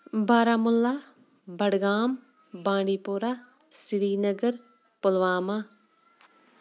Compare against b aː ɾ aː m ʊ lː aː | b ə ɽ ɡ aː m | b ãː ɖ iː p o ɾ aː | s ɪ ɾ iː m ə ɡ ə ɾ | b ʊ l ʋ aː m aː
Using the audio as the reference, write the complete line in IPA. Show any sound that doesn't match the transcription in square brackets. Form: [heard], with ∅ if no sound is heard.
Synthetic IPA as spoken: b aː ɾ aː m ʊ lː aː | b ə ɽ ɡ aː m | b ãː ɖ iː p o ɾ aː | s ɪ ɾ iː [n] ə ɡ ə ɾ | [p] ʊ l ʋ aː m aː